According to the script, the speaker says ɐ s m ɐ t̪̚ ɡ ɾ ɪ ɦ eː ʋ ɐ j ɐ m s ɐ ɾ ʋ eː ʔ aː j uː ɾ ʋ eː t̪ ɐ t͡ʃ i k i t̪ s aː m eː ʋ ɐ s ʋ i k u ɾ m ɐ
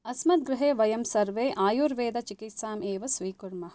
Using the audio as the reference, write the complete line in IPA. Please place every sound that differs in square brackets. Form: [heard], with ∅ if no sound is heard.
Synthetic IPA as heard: ɐ s m ɐ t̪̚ ɡ ɾ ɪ ɦ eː ʋ ɐ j ɐ m s ɐ ɾ ʋ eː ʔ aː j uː ɾ ʋ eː [d̪] ɐ t͡ʃ i k i t̪ s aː m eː ʋ ɐ s ʋ [iː] k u ɾ m ɐ